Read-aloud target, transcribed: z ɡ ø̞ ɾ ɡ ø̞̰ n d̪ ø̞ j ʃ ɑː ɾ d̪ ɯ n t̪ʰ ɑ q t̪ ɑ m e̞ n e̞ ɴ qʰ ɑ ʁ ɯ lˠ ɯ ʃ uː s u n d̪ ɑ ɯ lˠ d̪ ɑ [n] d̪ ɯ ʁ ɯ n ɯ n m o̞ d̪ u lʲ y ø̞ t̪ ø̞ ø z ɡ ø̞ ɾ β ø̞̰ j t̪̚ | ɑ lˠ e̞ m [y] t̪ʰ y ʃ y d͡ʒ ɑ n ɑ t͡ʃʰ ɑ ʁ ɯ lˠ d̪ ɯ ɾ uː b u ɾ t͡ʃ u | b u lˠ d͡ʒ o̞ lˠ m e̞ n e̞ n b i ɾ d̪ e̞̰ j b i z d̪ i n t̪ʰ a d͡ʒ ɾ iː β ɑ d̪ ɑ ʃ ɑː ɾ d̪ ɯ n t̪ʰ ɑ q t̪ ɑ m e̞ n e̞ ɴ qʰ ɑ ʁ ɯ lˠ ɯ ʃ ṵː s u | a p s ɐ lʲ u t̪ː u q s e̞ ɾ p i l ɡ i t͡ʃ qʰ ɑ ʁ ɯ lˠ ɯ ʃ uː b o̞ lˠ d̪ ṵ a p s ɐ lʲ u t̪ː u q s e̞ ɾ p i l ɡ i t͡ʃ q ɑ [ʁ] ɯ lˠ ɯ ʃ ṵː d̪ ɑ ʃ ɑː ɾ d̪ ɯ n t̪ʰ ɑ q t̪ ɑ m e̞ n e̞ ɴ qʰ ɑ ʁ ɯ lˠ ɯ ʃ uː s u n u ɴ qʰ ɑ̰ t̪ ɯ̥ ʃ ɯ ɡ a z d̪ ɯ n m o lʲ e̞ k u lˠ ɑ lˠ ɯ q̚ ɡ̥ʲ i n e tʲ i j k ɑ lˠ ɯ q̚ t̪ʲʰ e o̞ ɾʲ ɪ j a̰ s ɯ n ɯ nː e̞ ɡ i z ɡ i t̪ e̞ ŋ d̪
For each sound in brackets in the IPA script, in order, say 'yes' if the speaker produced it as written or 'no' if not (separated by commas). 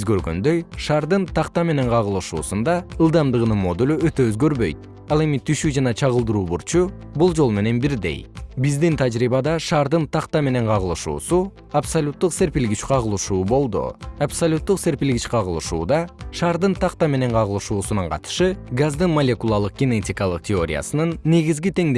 no, no, yes